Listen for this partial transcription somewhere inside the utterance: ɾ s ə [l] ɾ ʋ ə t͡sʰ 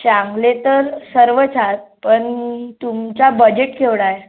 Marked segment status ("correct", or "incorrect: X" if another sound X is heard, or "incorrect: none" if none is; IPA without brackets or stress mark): incorrect: none